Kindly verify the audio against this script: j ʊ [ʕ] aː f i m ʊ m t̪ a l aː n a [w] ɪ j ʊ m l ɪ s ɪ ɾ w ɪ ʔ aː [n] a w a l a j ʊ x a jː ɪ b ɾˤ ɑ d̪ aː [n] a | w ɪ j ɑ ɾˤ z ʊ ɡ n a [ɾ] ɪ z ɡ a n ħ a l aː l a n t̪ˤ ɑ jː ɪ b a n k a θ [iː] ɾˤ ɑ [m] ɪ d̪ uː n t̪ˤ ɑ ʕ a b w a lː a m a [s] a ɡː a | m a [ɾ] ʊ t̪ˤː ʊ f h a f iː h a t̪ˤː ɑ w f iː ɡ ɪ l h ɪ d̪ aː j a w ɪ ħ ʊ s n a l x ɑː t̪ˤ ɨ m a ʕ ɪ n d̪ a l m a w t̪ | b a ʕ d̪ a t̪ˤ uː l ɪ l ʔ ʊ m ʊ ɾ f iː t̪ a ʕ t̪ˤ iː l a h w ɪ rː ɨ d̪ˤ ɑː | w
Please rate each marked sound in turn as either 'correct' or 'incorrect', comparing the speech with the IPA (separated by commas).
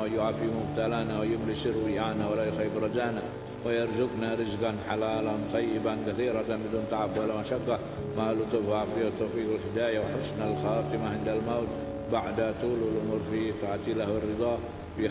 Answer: correct, correct, correct, correct, correct, correct, incorrect, incorrect, incorrect